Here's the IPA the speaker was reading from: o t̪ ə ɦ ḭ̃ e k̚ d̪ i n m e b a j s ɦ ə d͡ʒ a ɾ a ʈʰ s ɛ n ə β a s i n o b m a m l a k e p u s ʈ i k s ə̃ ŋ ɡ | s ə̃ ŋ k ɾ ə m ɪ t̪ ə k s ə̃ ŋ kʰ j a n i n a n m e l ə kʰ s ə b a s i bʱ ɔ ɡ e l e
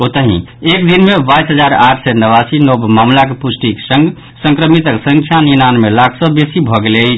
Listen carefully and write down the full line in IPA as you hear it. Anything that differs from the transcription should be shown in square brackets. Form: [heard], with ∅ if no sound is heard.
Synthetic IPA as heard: o t̪ ə ɦ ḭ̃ e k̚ d̪ i n m e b a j s ɦ ə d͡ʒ a ɾ a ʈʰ s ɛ n ə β a s i n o b m a m l a k e p u s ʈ i k s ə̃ ŋ ɡ | s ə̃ ŋ k ɾ ə m [i] t̪ ə k s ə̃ ŋ kʰ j a n i n a n m e l [a] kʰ s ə b [e] s i bʱ ɔ ɡ e l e